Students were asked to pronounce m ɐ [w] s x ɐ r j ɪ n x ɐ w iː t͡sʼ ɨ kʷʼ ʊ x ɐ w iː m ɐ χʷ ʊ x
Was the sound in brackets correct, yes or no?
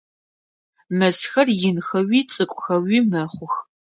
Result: no